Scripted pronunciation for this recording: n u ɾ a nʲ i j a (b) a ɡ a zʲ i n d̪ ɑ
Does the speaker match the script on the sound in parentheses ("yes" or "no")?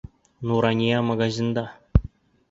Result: no